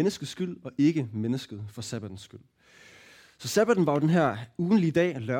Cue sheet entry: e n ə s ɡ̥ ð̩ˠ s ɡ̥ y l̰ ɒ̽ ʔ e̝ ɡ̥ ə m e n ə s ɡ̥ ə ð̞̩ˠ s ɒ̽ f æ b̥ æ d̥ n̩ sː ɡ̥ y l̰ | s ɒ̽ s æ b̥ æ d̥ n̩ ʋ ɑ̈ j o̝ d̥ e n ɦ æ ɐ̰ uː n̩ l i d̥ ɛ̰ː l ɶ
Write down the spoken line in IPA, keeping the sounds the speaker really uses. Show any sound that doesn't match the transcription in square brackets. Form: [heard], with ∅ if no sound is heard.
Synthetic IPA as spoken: e n ə s ɡ̥ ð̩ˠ s ɡ̥ y l̰ ɒ̽ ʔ e̝ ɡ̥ ə m e n ə s ɡ̥ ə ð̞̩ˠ [f] ɒ̽ [s] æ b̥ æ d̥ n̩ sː ɡ̥ y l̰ | s ɒ̽ s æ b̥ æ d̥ n̩ ʋ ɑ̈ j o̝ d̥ e n ɦ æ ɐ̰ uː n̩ l i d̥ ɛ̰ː l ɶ